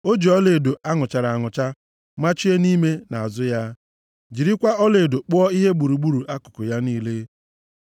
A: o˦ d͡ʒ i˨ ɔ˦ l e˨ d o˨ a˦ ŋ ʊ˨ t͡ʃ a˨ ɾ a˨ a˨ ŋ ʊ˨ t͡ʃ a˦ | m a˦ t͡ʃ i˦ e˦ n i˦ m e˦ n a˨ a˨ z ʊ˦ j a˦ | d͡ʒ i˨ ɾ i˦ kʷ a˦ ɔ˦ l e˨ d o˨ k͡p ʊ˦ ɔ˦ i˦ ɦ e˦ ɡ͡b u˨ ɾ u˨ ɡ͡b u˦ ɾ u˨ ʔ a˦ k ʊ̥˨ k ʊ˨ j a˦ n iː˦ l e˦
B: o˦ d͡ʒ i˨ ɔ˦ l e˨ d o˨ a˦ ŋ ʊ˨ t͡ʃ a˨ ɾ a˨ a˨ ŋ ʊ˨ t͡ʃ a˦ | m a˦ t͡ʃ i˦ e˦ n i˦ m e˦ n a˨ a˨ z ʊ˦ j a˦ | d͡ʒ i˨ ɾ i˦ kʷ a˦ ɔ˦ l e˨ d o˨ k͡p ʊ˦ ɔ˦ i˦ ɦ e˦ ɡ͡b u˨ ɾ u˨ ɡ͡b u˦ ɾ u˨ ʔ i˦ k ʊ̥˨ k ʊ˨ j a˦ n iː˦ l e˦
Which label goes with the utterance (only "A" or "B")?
A